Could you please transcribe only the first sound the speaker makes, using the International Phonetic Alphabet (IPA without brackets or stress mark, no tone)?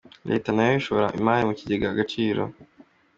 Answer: ɾ